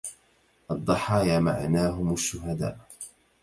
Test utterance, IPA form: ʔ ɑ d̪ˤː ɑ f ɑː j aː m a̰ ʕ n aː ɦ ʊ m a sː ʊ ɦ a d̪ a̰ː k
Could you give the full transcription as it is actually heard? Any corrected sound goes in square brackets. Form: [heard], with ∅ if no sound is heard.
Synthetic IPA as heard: ʔ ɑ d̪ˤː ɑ [ħ] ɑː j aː m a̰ ʕ n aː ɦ ʊ m a [ʃː] ʊ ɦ a d̪ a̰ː [ʔ]